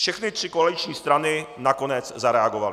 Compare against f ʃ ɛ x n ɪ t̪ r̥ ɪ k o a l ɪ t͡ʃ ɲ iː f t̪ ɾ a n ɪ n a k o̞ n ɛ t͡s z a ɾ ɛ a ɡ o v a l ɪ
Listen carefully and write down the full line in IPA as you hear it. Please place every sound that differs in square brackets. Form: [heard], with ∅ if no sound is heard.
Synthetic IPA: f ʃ ɛ x n ɪ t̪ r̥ ɪ k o a l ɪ t͡ʃ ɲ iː [s] t̪ ɾ a n ɪ n a k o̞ n ɛ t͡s z a ɾ ɛ a ɡ o v a l ɪ